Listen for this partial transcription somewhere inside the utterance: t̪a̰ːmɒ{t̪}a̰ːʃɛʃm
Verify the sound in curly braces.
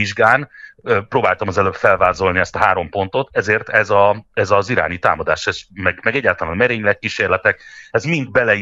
incorrect: d̪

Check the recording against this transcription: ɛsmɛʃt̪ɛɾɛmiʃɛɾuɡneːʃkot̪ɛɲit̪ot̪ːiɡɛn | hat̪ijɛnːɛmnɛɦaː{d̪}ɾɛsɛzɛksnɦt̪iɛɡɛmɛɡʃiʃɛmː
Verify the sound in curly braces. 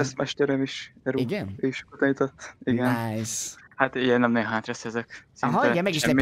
incorrect: t̪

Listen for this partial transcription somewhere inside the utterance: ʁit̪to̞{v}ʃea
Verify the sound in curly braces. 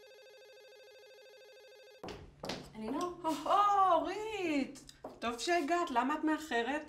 correct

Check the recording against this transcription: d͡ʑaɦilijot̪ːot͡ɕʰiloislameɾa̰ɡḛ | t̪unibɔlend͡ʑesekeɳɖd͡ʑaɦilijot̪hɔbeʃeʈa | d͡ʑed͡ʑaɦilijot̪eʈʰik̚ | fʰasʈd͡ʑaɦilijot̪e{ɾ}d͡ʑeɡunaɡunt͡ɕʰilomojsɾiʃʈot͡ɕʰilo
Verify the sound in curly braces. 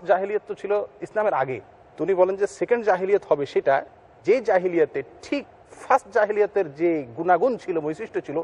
correct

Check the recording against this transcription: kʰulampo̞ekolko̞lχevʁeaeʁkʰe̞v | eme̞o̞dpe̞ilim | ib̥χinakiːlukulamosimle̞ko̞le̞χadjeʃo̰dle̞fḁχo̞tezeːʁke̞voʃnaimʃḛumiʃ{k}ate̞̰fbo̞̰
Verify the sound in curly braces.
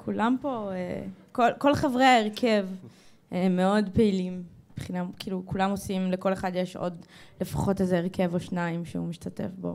incorrect: t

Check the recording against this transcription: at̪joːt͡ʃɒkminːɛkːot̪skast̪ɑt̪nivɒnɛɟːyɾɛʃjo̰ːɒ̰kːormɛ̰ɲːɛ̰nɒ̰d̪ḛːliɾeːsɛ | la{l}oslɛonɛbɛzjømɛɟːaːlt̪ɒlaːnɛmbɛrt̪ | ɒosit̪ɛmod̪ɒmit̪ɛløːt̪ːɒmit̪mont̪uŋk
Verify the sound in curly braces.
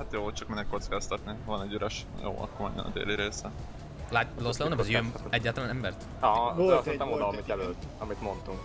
correct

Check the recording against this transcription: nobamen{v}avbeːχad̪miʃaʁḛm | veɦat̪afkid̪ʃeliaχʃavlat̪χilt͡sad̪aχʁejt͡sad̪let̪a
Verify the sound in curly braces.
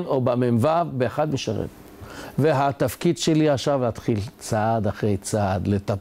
correct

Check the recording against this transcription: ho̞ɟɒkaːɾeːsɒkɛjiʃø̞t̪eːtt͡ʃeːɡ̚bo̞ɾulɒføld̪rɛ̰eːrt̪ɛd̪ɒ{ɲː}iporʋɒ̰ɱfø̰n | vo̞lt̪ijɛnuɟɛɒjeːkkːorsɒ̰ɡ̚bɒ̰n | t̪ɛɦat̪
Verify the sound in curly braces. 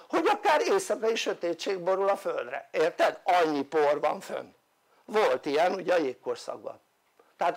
correct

